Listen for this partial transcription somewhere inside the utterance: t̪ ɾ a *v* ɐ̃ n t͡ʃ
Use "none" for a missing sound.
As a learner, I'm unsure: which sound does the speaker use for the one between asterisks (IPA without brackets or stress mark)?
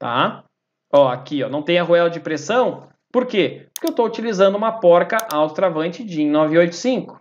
v